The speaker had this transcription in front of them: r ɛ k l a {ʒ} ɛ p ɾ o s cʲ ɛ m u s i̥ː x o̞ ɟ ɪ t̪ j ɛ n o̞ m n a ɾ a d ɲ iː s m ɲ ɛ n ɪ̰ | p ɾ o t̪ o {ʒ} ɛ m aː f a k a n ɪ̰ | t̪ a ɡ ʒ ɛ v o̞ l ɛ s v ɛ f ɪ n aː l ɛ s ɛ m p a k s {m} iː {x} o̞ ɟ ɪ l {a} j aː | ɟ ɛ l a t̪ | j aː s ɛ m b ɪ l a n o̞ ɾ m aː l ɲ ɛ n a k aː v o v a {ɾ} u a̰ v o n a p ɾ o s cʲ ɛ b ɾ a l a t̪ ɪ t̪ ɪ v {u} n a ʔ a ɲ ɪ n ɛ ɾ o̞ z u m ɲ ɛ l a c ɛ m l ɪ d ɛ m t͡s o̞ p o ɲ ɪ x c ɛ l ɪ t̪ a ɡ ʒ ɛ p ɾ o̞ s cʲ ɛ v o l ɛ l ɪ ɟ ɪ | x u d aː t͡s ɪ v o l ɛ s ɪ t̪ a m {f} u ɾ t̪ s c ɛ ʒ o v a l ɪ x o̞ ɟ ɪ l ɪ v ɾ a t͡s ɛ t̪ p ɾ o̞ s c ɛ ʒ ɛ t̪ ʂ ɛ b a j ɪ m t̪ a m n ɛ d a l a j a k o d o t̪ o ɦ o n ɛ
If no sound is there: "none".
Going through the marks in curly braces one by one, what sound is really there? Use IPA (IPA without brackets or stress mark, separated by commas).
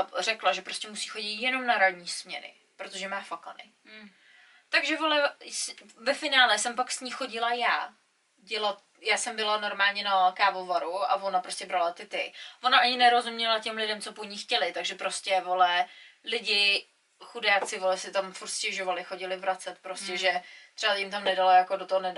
ʒ, ʒ, ɲ, x, a, ɾ, o, f